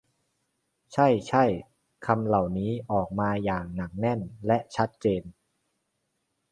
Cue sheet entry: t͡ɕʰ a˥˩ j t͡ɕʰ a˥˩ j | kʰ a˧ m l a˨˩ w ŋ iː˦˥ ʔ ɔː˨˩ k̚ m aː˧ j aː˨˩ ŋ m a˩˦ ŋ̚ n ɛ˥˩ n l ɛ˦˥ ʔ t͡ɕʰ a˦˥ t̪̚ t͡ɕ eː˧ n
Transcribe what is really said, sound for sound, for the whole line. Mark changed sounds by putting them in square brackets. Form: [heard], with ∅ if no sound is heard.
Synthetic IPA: t͡ɕʰ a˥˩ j t͡ɕʰ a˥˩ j | kʰ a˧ m l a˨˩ w [n] iː˦˥ ʔ ɔː˨˩ k̚ m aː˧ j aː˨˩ ŋ [n] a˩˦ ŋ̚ n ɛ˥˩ n l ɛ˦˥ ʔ t͡ɕʰ a˦˥ t̪̚ t͡ɕ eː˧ n